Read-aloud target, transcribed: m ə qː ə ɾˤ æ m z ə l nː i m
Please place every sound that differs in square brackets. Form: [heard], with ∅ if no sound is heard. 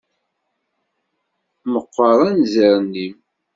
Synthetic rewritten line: m ə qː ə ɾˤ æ [n] z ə [ɾ] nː i m